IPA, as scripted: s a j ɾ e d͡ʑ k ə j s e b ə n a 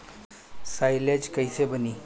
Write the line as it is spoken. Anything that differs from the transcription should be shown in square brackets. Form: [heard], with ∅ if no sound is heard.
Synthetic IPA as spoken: s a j [l] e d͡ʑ k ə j s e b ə n [i]